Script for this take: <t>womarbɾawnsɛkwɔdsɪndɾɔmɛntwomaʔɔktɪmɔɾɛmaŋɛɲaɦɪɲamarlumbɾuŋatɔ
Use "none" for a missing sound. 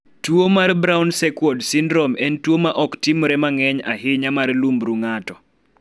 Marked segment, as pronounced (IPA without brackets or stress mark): t